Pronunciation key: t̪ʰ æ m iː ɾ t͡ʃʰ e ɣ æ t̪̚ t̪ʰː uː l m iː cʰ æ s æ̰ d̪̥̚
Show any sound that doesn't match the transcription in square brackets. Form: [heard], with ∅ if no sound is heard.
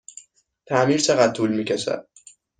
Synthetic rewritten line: t̪ʰ æ m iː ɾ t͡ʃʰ e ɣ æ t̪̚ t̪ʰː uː l m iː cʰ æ [ʃ] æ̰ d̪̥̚